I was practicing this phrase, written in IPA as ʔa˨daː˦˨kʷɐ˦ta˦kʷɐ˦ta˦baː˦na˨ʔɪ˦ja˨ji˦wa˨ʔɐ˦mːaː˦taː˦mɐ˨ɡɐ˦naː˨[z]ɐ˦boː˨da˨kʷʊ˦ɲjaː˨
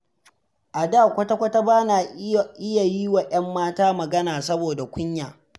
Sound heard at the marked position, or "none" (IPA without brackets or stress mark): s